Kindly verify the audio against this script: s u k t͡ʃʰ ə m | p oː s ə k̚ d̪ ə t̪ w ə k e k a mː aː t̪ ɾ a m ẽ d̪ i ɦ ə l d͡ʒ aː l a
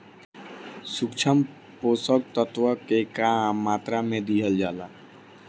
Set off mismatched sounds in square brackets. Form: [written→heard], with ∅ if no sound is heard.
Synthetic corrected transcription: s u k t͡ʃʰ ə m | p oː s ə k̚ [d̪→t̪] ə t̪ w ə k e k a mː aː t̪ ɾ a m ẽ d̪ i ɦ ə l d͡ʒ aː l a